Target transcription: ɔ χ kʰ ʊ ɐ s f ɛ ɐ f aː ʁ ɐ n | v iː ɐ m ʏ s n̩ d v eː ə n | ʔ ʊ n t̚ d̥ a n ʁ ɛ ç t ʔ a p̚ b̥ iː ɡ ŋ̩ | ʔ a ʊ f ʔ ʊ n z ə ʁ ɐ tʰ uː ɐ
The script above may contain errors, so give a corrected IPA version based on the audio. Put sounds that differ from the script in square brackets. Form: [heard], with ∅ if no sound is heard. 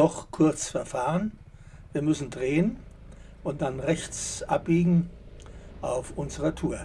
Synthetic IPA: ɔ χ kʰ ʊ ɐ [t͡s] f ɛ ɐ f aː ʁ [ə] n | v iː ɐ m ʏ s n̩ d [ʁ] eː ə n | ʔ ʊ n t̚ d̥ a n ʁ ɛ ç [t͡s] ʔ a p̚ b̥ iː ɡ ŋ̩ | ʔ a ʊ f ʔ ʊ n z ə ʁ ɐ tʰ uː ɐ